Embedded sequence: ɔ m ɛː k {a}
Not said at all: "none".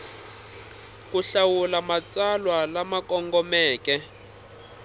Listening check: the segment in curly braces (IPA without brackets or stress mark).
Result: ɛ